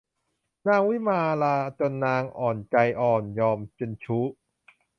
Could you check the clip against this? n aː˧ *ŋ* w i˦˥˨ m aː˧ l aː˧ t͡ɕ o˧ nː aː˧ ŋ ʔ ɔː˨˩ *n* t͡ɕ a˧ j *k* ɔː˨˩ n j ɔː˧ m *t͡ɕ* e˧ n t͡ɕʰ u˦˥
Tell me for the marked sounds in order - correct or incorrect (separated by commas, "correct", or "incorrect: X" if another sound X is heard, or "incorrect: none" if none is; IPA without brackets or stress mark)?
correct, correct, incorrect: ʔ, correct